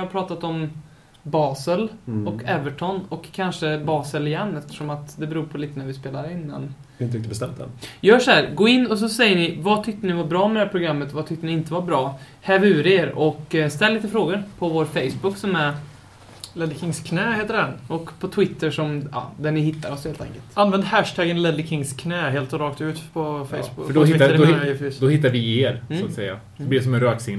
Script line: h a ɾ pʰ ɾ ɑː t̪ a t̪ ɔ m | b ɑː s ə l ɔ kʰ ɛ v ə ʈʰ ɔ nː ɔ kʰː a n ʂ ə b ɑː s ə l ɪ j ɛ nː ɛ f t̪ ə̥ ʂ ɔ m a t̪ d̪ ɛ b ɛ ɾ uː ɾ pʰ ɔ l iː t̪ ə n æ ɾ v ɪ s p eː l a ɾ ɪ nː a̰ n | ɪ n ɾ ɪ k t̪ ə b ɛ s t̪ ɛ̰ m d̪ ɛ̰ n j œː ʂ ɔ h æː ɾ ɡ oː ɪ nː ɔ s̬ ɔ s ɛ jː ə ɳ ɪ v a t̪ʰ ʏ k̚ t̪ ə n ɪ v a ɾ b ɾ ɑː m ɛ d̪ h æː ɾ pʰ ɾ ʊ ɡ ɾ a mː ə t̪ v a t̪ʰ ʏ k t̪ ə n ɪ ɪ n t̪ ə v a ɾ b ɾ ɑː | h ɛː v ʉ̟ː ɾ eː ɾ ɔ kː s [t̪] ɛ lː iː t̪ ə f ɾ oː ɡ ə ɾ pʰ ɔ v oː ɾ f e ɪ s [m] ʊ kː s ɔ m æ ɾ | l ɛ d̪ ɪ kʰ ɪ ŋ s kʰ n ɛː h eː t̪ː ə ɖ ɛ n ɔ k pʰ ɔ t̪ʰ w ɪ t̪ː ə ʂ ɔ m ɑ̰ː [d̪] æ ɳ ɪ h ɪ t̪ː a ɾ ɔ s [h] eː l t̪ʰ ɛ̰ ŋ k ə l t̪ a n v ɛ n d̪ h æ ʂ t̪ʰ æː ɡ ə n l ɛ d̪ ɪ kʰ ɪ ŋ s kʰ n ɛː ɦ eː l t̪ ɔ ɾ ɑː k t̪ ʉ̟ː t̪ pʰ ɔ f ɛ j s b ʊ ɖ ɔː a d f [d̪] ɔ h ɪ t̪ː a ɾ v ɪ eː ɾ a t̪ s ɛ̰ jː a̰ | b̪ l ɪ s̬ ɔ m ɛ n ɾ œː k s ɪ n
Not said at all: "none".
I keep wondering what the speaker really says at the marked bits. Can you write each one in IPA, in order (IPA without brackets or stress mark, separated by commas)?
t̪, b, d̪, h, d̪